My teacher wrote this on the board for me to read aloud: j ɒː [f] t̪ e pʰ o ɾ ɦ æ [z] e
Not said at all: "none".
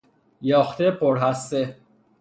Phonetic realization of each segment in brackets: x, s

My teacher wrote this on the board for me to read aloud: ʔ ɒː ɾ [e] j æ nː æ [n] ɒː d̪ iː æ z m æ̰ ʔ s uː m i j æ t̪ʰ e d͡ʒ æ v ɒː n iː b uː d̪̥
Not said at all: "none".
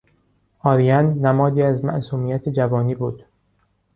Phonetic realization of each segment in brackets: i, m

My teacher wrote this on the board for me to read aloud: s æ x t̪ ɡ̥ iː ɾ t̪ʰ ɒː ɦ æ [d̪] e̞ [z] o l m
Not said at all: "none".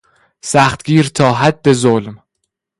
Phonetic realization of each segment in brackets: d̪ː, z

